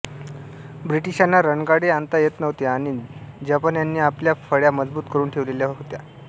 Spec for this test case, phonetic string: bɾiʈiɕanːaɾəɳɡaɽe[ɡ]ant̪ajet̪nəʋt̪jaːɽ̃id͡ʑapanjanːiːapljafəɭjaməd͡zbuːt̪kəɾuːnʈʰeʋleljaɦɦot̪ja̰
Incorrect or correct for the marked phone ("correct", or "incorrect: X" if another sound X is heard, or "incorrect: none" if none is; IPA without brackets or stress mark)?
incorrect: none